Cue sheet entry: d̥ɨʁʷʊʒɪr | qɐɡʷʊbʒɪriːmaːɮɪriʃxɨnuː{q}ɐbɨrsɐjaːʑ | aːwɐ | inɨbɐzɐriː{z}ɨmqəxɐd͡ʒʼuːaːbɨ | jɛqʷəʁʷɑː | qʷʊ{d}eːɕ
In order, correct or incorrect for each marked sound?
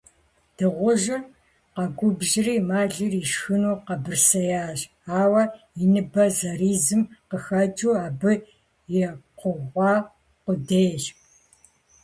correct, correct, correct

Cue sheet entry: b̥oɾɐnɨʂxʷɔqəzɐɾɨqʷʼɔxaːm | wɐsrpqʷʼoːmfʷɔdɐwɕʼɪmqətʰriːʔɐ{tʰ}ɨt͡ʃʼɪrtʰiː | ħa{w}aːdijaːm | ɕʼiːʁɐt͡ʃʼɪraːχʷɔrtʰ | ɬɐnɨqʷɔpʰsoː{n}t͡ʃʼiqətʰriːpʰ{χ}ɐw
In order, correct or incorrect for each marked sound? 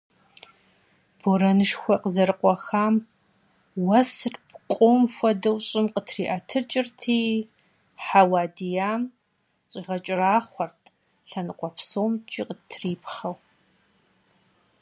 correct, correct, incorrect, correct

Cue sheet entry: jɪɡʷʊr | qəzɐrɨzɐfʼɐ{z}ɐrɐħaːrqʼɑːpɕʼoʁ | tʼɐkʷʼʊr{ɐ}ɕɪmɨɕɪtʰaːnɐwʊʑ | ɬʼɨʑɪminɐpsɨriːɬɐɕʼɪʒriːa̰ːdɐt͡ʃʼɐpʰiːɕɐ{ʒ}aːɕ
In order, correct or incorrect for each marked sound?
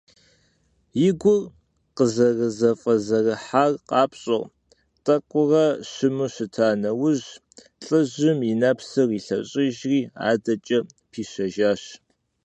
correct, correct, correct

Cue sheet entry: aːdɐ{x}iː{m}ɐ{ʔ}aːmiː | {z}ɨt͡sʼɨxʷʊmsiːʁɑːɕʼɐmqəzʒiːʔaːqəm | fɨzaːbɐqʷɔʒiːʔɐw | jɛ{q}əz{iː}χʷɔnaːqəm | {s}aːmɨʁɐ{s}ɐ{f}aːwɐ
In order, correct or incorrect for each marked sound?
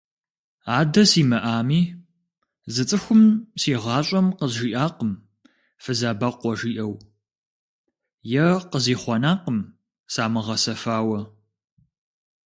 incorrect, correct, correct, correct, correct, correct, correct, correct, correct

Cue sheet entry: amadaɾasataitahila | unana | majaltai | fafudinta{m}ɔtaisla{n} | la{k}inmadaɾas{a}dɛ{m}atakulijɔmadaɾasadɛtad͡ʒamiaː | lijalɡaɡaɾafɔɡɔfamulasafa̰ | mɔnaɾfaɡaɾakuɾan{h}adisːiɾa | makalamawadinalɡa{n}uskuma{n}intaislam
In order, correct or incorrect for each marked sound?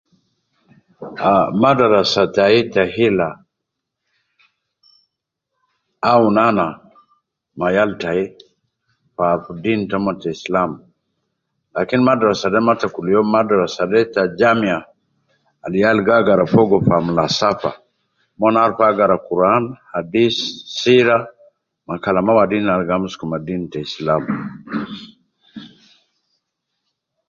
correct, incorrect, correct, correct, correct, correct, incorrect, incorrect

